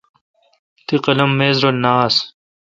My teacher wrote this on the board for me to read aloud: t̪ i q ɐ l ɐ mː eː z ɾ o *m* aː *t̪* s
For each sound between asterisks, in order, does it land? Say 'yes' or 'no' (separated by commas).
no, no